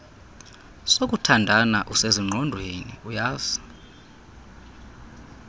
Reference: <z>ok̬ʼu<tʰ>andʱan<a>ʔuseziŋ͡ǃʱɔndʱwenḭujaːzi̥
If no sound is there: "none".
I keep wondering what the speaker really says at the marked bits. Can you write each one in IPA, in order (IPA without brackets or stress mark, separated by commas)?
s, tʰ, a